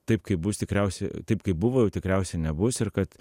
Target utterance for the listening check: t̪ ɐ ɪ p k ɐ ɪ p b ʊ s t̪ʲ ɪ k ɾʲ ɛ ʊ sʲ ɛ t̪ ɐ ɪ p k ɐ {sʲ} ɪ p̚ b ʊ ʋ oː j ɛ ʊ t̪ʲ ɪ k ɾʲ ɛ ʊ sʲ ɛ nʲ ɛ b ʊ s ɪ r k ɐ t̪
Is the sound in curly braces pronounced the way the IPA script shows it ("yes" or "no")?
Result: no